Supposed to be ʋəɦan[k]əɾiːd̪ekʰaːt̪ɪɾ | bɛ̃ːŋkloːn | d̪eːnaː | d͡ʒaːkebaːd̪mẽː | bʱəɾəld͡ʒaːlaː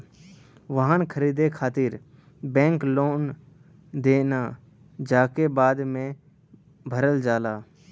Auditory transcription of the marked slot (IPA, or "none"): kʰ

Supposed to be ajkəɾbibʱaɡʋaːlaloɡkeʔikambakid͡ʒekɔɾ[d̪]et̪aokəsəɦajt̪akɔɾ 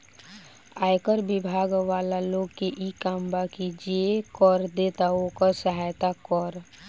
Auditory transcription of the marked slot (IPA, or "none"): d̪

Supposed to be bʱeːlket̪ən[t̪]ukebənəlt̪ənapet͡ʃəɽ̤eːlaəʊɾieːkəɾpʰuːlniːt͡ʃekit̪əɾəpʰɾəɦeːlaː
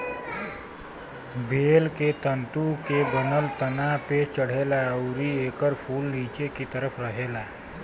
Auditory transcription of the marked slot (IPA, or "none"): t̪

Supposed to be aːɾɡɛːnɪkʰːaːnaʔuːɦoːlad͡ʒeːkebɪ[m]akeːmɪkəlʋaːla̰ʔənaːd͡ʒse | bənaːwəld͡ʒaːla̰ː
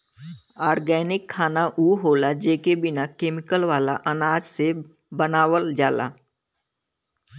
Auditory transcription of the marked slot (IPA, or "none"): n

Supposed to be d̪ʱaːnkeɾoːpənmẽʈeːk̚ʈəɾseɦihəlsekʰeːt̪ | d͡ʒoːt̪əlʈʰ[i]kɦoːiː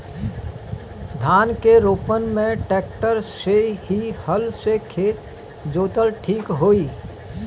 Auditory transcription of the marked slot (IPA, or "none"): iː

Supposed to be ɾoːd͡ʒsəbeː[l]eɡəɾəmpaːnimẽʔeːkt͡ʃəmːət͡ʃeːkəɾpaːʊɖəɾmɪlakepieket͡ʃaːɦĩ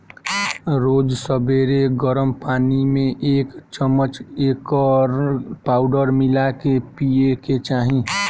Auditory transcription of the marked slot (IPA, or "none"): ɾ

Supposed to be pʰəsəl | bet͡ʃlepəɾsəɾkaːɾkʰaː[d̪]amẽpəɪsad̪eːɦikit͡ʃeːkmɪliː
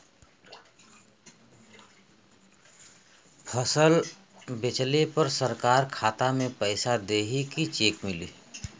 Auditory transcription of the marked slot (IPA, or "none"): t̪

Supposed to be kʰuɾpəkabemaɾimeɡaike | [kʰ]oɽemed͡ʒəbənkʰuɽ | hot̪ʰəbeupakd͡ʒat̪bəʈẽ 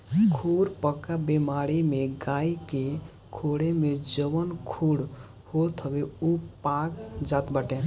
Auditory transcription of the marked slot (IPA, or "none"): kʰ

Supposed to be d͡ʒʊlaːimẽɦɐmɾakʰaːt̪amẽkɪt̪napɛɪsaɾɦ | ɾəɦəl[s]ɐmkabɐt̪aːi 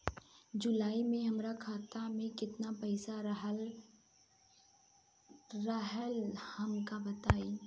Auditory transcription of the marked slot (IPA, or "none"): h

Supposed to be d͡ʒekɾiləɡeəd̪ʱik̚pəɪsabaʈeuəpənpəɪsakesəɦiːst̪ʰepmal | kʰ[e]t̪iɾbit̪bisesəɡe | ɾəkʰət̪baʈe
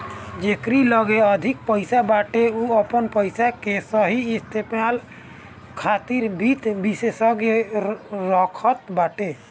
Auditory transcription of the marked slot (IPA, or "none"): a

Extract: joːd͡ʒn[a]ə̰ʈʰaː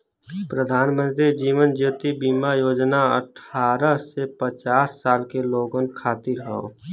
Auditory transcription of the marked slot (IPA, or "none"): a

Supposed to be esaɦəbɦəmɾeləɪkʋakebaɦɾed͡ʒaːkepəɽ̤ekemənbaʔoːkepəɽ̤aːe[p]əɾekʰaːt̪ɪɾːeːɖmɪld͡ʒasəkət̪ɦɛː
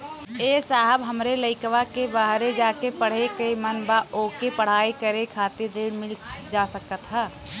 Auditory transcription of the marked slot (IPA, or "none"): k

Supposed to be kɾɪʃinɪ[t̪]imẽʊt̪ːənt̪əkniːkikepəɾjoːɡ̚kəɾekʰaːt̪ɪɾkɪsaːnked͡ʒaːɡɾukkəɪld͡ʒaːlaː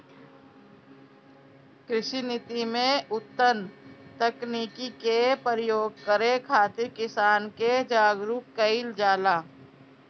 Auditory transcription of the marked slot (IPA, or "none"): t̪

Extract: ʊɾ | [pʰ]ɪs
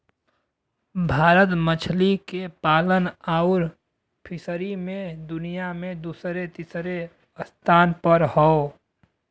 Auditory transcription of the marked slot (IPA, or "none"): pʰ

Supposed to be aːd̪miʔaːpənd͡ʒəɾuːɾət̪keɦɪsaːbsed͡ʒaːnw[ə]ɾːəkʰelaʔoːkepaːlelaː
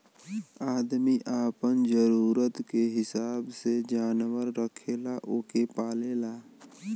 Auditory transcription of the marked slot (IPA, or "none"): ə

